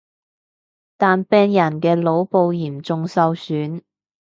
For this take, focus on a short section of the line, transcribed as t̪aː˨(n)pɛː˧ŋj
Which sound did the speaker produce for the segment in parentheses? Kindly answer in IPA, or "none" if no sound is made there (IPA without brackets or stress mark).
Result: n